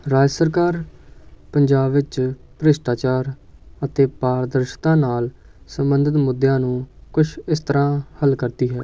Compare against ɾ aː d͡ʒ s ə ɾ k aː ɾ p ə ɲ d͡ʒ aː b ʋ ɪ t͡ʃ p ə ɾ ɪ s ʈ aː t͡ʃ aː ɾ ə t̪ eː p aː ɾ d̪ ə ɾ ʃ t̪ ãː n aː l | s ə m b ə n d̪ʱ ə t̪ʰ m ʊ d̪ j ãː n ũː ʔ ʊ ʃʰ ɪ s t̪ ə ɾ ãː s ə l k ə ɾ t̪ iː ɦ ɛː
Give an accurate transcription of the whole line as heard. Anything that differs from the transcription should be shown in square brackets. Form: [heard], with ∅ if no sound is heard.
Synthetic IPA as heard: ɾ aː d͡ʒ s ə ɾ k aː ɾ p ə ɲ d͡ʒ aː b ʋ ɪ t͡ʃ p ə ɾ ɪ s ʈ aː t͡ʃ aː ɾ ə t̪ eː p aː ɾ d̪ ə ɾ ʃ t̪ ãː n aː l | s ə m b ə n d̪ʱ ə [t̪] m ʊ d̪ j ãː n ũː [k] ʊ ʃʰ ɪ s t̪ ə ɾ ãː [h] ə l k ə ɾ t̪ iː ɦ ɛː

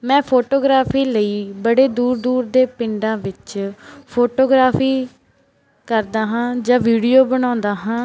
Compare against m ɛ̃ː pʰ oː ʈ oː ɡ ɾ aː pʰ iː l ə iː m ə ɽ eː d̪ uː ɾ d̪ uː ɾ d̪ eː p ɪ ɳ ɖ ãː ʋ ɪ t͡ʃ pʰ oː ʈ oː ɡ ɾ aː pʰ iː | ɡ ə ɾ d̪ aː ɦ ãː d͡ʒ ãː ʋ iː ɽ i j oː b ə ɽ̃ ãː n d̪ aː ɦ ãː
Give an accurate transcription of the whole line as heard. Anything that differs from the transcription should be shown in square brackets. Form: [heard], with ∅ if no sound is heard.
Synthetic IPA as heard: m ɛ̃ː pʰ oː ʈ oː ɡ ɾ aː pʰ iː l ə iː [b] ə ɽ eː d̪ uː ɾ d̪ uː ɾ d̪ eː p ɪ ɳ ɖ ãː ʋ ɪ t͡ʃ pʰ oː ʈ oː ɡ ɾ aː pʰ iː | [k] ə ɾ d̪ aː ɦ ãː d͡ʒ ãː ʋ iː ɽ i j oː b ə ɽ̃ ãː n d̪ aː ɦ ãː

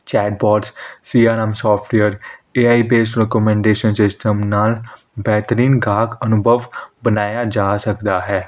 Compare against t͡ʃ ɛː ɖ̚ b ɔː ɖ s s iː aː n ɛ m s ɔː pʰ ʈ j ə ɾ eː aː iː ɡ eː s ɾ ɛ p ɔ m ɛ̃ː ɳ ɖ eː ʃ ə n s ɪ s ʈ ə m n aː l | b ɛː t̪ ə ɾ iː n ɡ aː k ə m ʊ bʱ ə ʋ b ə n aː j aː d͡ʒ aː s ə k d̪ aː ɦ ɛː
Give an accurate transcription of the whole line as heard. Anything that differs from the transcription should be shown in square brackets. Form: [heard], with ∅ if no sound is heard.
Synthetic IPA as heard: t͡ʃ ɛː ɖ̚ b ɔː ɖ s s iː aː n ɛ m s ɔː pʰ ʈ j ə ɾ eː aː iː [b] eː s ɾ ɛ [k] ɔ m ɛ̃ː ɳ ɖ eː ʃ ə n s ɪ s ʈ ə m n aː l | b ɛː t̪ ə ɾ iː n ɡ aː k ə [n] ʊ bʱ ə ʋ b ə n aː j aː d͡ʒ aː s ə k d̪ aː ɦ ɛː

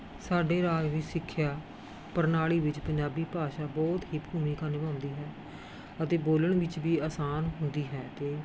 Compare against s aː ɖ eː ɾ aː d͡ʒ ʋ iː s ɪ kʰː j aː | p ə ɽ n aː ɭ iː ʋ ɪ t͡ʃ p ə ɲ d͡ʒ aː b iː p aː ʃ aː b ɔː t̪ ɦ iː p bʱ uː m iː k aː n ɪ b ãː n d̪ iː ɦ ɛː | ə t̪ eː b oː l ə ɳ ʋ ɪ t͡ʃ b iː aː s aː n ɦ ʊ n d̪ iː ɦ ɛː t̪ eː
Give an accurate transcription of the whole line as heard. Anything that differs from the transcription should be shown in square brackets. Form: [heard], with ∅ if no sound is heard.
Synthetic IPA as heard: s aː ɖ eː ɾ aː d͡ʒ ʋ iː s ɪ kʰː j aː | p ə [ɾ] n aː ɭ iː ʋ ɪ t͡ʃ p ə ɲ d͡ʒ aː b iː p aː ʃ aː b ɔː t̪ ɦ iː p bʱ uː m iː k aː n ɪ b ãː n d̪ iː ɦ ɛː | ə t̪ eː b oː l ə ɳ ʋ ɪ t͡ʃ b iː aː s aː n ɦ ʊ n d̪ iː ɦ ɛː t̪ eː

